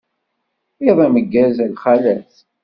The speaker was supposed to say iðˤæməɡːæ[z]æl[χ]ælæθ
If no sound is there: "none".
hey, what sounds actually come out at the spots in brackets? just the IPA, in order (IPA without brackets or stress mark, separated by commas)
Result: z, χ